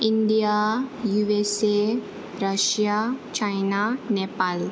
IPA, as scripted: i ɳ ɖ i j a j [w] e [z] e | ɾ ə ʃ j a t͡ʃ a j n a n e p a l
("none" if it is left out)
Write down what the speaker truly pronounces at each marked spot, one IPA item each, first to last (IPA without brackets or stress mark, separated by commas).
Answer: u, s